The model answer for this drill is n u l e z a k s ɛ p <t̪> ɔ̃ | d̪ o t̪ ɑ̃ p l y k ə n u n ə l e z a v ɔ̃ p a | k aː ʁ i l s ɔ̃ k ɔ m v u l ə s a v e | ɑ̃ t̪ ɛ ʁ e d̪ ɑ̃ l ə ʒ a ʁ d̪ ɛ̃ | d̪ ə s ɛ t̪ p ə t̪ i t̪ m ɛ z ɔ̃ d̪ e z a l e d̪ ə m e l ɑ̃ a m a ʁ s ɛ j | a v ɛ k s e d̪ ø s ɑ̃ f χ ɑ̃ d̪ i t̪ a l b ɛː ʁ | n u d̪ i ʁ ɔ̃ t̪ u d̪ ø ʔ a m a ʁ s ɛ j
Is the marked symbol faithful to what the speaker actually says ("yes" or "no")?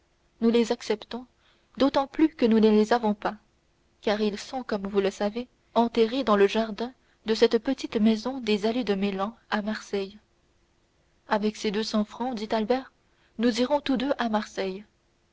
yes